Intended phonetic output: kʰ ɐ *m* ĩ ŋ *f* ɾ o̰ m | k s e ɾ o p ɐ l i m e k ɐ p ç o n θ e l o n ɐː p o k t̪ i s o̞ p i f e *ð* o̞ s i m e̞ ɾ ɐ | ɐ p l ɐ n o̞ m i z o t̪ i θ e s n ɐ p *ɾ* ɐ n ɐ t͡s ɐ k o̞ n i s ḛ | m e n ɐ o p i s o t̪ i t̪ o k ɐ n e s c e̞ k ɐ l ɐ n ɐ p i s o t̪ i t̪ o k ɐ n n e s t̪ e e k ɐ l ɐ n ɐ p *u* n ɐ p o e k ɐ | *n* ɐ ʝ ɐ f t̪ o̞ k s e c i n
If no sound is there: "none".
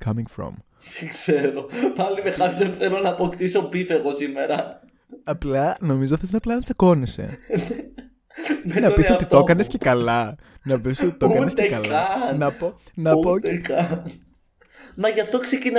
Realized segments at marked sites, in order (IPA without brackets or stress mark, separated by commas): m, f, ɣ, l, o, m